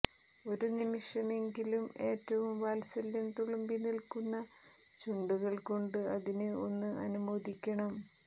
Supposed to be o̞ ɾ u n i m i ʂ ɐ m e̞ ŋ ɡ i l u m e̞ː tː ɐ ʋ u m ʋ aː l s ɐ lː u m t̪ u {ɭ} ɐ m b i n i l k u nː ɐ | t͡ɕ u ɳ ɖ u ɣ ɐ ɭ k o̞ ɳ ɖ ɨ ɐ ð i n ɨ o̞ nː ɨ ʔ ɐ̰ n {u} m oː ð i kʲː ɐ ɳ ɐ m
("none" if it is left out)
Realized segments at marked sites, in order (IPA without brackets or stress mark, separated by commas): ɭ, u